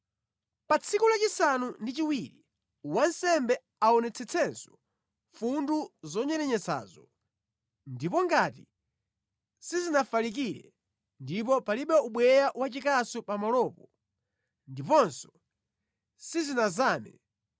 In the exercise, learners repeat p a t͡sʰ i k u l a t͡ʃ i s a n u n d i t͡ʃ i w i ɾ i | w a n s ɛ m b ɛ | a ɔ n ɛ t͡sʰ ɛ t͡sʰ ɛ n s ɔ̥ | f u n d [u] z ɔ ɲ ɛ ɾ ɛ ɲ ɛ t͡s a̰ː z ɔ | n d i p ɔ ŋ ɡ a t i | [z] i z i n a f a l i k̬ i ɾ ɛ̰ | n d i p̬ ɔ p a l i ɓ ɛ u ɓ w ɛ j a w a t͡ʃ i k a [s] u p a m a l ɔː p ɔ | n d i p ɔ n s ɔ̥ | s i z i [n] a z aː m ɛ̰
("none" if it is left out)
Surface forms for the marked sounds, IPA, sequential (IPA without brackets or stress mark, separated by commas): u, s, s, n